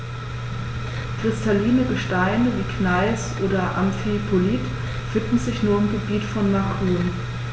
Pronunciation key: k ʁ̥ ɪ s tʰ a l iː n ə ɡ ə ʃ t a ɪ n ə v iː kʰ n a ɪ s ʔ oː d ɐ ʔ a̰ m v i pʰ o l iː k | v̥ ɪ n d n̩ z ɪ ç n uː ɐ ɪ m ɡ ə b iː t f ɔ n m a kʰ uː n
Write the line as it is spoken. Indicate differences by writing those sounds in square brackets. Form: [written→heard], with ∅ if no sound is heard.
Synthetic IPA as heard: k ʁ̥ ɪ s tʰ a l iː n ə ɡ ə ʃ t a ɪ n ə v iː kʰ n a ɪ s ʔ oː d ɐ ʔ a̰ m [v→f] i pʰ o l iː [k→t] | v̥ ɪ n d n̩ z ɪ ç n uː ɐ ɪ m ɡ ə b iː t f ɔ n m a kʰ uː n